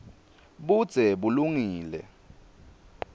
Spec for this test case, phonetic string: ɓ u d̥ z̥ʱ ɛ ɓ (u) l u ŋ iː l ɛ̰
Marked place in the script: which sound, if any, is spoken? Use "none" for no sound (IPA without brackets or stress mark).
u